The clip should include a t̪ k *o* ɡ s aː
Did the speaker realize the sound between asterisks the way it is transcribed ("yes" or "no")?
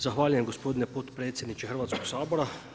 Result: yes